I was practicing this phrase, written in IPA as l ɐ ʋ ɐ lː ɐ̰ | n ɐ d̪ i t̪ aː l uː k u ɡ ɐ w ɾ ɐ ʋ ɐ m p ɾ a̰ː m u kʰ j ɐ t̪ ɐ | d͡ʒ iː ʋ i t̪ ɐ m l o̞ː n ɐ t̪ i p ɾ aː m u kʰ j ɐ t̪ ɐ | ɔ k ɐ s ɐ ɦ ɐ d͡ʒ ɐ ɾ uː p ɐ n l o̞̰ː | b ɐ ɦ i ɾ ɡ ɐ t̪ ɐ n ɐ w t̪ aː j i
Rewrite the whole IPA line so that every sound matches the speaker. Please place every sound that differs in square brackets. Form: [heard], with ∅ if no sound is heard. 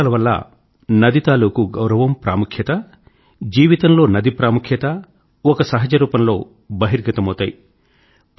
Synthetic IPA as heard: l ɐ ʋ ɐ lː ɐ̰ | n ɐ d̪ i t̪ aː l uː k u ɡ ɐ w ɾ ɐ ʋ ɐ m p ɾ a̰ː m u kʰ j ɐ t̪ ɐ | d͡ʒ iː ʋ i t̪ ɐ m l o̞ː n ɐ [d̪] i p ɾ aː m u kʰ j ɐ t̪ ɐ | ɔ k ɐ s ɐ ɦ ɐ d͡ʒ ɐ ɾ uː p ɐ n l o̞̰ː | b ɐ ɦ i ɾ ɡ ɐ t̪ ɐ [m] ɐ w t̪ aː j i